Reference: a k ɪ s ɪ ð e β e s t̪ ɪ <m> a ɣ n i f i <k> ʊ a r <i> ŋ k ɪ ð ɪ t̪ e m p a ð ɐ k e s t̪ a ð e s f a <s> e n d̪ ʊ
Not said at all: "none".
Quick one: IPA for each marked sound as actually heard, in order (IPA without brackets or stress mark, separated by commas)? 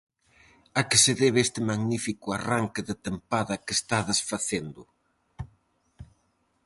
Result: m, k, a, θ